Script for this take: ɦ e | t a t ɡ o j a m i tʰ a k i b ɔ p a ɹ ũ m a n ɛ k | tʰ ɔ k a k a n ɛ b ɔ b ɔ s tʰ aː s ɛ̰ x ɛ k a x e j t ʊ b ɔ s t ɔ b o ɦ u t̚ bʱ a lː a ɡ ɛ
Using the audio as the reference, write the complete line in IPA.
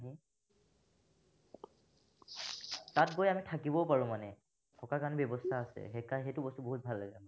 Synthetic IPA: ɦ i | t a t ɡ o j a m i tʰ a k i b ɔ p a ɹ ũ m a n ɛ | tʰ ɔ k a k a n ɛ b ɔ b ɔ s tʰ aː s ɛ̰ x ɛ k a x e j t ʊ b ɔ s t u b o ɦ u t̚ bʱ a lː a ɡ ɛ

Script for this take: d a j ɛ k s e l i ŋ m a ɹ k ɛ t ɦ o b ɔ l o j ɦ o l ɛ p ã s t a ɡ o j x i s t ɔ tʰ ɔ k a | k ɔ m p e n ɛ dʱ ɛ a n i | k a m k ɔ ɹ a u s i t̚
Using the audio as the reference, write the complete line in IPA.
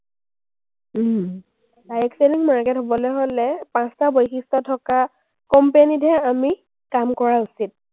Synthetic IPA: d a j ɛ k s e l i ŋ m a ɹ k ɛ t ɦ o b ɔ l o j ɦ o l ɛ p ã s t a b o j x i s t ɔ tʰ ɔ k a | k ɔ m p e n i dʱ ɛ a m i | k a m k ɔ ɹ a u s i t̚

